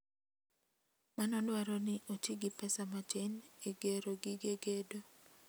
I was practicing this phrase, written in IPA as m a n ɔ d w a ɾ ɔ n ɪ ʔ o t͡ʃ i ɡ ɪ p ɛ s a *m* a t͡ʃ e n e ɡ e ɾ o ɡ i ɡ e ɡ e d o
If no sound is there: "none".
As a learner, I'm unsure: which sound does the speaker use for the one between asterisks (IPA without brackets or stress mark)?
m